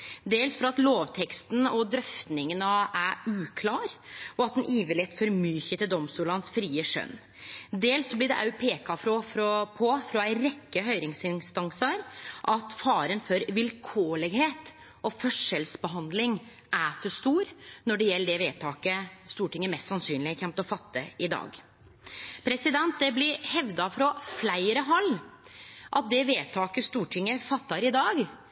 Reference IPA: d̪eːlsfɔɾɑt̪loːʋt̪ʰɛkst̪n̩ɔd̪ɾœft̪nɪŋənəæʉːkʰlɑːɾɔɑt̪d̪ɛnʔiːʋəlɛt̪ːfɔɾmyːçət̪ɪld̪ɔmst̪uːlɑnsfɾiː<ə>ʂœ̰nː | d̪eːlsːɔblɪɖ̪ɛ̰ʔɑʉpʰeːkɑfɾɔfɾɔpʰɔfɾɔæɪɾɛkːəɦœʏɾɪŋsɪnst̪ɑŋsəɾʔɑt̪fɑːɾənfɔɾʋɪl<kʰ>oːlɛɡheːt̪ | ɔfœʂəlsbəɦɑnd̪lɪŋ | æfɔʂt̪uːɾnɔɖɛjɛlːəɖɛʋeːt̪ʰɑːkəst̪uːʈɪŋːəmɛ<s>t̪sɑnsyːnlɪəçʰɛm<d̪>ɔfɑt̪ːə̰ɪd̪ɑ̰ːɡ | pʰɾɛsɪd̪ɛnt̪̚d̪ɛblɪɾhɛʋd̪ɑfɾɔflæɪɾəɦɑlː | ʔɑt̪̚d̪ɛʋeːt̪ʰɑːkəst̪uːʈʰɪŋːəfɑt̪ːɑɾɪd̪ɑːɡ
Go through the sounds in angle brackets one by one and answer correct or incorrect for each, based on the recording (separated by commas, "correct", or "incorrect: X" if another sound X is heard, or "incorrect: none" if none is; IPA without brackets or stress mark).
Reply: correct, correct, correct, incorrect: t̪